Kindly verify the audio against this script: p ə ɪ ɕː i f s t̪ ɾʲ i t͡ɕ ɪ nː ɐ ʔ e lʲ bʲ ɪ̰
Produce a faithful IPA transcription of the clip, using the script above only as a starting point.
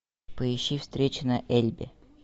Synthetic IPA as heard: p ə ɪ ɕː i f s t̪ ɾʲ e t͡ɕ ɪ n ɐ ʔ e lʲ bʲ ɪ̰